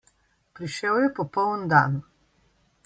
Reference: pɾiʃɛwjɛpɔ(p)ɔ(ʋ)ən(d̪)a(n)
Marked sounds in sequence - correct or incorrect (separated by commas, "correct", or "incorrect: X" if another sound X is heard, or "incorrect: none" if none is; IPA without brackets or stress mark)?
correct, incorrect: w, correct, correct